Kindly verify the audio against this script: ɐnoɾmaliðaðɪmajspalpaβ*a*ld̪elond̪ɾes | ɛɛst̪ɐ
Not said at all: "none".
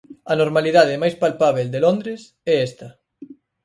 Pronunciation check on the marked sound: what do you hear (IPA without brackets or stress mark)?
e